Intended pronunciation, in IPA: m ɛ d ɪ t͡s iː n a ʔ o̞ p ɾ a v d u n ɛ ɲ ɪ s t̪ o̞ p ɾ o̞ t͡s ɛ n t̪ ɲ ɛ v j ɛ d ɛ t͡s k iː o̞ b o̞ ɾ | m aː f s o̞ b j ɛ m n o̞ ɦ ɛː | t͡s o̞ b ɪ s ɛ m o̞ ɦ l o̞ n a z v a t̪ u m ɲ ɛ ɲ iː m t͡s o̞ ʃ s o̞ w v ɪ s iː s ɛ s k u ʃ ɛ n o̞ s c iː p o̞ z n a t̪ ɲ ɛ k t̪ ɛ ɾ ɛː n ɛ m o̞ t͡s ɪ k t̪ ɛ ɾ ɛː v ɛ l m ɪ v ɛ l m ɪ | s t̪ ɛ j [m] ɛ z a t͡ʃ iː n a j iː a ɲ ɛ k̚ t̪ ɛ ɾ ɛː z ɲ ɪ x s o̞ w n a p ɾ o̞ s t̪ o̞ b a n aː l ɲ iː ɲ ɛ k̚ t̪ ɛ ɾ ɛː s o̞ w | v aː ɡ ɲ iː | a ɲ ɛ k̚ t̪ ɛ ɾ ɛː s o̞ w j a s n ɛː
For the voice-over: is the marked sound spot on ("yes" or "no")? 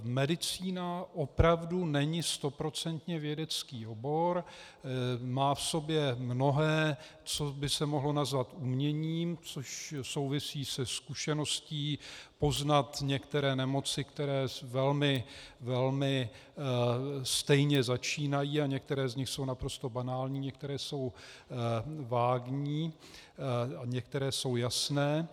no